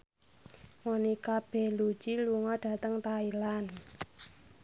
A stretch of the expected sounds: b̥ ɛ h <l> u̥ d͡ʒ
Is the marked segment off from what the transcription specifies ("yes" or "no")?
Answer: no